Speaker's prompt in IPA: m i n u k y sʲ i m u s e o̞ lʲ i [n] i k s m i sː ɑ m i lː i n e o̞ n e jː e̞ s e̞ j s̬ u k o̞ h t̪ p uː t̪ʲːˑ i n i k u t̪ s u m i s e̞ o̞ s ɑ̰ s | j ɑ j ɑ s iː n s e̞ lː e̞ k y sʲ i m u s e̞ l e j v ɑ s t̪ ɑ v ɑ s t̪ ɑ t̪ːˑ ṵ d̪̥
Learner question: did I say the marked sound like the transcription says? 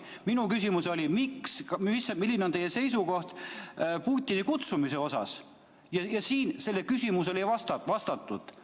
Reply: no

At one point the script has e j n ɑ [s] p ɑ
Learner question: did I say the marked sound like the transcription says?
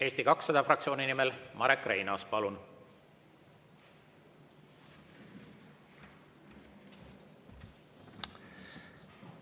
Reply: yes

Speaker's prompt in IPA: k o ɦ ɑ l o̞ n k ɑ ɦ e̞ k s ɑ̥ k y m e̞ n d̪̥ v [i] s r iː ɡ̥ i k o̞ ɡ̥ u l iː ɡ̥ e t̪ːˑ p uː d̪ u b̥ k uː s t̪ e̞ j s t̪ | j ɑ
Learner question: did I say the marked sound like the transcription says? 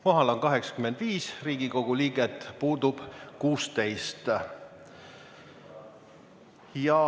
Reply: no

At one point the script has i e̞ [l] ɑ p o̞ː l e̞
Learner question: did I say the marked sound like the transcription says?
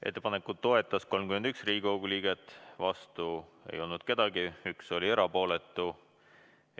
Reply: no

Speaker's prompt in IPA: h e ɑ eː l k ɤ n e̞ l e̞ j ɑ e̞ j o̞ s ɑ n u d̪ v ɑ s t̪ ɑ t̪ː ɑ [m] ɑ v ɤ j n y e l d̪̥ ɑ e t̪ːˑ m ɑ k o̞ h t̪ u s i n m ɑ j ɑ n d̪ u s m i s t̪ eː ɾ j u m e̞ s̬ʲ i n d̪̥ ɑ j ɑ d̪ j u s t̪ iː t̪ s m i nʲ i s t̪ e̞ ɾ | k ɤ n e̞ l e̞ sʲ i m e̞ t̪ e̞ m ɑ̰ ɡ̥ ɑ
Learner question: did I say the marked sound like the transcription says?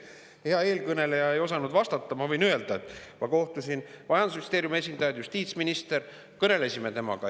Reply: yes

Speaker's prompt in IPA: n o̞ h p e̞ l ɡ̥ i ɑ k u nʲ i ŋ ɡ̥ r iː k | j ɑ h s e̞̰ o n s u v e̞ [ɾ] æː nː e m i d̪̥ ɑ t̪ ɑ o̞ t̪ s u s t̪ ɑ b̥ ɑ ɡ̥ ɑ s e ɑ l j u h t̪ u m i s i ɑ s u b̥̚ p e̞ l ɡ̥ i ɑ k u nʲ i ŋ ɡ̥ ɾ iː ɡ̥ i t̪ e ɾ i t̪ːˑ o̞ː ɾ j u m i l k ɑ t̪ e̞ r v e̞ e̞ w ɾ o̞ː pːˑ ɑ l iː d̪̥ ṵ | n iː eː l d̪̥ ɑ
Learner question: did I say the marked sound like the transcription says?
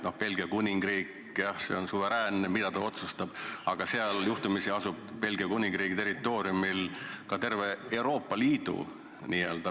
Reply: yes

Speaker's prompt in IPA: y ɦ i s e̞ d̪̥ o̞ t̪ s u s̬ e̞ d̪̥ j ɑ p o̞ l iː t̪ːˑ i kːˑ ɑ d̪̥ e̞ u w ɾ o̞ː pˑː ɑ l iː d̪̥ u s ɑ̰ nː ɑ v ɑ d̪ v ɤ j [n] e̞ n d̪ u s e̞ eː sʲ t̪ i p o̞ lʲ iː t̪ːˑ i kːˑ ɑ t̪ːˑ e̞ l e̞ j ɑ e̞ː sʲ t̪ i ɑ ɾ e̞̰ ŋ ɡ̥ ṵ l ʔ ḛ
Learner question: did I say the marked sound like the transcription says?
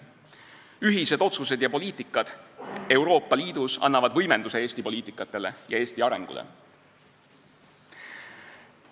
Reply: no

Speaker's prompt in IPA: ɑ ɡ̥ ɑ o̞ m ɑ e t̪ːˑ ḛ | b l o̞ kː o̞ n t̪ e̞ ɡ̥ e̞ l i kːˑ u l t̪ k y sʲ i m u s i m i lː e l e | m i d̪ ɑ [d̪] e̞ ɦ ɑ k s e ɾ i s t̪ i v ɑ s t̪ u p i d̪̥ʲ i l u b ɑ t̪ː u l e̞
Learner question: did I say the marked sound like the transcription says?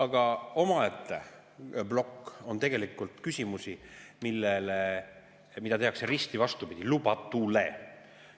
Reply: no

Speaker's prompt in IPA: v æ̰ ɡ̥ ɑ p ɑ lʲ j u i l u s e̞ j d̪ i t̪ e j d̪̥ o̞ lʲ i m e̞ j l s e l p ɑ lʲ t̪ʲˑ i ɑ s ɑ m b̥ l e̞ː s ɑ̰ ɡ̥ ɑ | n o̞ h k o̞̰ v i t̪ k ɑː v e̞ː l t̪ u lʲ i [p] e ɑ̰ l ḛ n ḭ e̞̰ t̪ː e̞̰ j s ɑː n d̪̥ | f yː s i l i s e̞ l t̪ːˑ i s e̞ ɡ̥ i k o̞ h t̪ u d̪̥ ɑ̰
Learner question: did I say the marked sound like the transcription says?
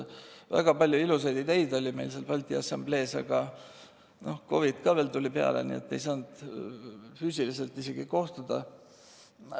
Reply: yes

